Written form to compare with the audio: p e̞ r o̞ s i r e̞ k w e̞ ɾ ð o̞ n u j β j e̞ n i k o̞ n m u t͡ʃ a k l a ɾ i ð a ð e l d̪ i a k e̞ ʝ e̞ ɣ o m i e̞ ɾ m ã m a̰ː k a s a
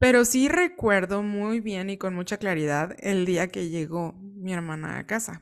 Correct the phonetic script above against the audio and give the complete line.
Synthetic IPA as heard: p e̞ ɾ o̞ s i r e̞ k w e̞ ɾ ð o̞ m u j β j e̞ n i k o̞ n m u t͡ʃ a k l a ɾ i ð a ð e l d̪ i a k e̞ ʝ e̞ ɣ o m i e̞ ɾ m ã n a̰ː k a s a